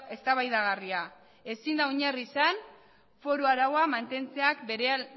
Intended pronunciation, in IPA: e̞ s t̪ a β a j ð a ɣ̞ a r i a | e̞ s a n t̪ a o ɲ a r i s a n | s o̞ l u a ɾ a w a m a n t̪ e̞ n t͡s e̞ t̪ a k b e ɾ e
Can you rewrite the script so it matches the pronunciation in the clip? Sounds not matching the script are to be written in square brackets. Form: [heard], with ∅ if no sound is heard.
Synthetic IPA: e̞ s t̪ a β a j ð a ɣ̞ a r i a | e̞ s [i] n [d̪] a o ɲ a r i s a n | [f] o̞ [ɾ] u a ɾ a w a m a n t̪ e̞ n t͡s e̞ [∅] a k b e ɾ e